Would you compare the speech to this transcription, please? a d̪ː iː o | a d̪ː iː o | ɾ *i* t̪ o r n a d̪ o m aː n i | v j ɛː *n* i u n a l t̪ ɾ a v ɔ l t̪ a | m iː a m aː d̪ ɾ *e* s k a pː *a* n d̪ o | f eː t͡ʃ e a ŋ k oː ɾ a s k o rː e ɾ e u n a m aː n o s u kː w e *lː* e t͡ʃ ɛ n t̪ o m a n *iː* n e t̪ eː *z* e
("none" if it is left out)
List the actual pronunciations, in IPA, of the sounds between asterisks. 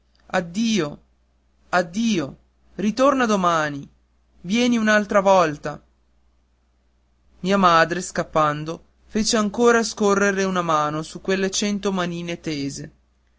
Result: i, n, e, a, lː, iː, z

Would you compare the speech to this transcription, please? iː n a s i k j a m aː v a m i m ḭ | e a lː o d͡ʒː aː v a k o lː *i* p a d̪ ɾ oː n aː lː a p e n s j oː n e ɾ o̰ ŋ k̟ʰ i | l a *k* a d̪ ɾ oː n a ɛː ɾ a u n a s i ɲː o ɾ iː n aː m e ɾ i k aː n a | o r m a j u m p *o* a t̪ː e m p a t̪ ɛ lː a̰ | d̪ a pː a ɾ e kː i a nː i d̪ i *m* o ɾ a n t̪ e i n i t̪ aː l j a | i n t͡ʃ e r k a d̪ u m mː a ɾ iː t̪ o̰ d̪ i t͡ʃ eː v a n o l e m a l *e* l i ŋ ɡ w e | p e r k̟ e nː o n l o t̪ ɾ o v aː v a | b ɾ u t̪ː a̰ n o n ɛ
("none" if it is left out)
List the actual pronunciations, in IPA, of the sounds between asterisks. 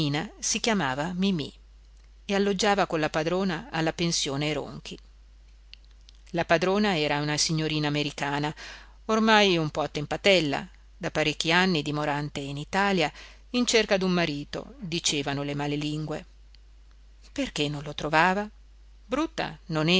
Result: a, p, ɔ, m, e

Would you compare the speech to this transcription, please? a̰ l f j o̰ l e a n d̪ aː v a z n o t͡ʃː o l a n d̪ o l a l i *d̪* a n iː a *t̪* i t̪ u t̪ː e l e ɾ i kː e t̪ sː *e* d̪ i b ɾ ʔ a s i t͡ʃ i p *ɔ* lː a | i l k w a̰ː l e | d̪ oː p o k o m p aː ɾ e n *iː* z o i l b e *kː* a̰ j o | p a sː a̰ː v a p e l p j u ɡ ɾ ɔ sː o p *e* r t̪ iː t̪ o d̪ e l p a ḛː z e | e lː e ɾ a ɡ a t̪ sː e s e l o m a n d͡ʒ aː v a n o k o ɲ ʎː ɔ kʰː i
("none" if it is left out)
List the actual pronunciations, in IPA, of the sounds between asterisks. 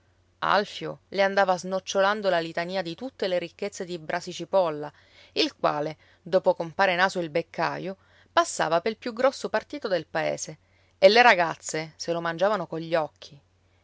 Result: t̪, d̪, e, ɔ, aː, kː, a

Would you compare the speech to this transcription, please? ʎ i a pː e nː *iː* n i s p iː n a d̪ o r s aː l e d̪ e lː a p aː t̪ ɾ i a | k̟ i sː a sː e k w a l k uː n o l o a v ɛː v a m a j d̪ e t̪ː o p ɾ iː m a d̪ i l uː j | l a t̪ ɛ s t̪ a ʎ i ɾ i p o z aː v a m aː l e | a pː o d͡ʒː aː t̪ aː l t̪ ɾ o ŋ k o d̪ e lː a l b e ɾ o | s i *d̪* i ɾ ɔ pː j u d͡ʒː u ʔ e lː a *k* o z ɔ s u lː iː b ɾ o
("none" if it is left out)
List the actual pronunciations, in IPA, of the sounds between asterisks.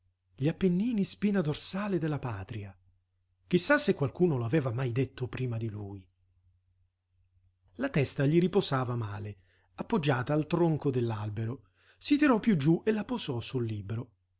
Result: iː, t̪, p

